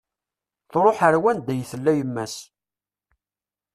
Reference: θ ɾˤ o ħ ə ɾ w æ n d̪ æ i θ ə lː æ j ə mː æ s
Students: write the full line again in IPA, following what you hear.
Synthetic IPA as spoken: θ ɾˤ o ħ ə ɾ w æ n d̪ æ j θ ə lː æ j ə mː æ s

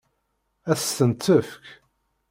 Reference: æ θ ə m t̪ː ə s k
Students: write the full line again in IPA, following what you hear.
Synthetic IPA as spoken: æ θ ə n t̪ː ə f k

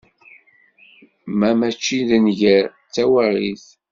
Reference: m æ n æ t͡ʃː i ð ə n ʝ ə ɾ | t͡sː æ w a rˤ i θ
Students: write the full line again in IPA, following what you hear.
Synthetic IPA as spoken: m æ m æ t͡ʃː i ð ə n ʝ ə ɾ | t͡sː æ w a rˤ i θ

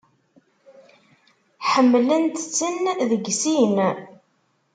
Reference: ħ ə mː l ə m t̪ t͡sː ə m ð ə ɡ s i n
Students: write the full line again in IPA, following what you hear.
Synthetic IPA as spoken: ħ ə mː l ə n t̪ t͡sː ə n ð ə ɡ s i n

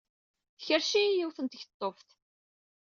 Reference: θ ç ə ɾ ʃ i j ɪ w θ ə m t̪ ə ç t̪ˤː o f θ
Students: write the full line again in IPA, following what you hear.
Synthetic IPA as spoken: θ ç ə ɾ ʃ i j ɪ w θ ə n t̪ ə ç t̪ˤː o f θ

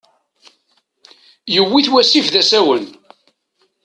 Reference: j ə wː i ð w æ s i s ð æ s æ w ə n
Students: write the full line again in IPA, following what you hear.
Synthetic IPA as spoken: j ə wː i θ w æ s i f ð æ s æ w ə n

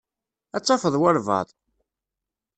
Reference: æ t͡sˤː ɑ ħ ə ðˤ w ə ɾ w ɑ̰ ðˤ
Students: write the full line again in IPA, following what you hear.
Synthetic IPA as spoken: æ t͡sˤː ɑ f ə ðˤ w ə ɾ v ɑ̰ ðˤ

